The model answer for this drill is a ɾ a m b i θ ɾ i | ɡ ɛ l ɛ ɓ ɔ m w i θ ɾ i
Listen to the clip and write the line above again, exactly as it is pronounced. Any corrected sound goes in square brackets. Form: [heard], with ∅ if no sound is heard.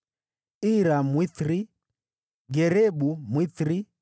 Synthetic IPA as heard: [i] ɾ a m [w] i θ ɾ i | ɡ ɛ [ɾ] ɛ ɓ [u] m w i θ ɾ i